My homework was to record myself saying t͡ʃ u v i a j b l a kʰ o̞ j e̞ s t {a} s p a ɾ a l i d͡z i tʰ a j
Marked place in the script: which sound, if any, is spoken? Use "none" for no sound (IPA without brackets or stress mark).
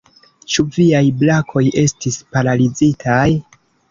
i